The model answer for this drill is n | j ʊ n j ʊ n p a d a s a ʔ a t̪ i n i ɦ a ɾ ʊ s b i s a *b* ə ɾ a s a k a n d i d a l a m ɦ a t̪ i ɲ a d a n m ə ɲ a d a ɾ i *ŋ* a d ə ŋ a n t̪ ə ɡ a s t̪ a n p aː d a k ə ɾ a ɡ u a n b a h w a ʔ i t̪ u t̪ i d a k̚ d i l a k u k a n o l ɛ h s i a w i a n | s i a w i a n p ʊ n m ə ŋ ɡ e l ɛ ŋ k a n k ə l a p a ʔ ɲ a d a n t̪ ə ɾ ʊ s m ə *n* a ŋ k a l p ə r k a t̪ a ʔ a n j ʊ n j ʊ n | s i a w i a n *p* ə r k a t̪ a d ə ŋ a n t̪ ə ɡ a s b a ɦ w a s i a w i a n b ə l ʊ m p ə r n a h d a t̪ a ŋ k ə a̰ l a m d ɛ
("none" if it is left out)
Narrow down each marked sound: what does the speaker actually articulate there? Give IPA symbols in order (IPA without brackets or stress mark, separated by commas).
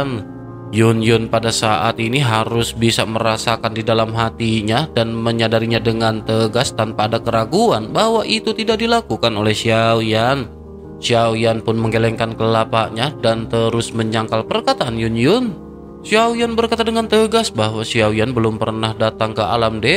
m, ɲ, ɲ, b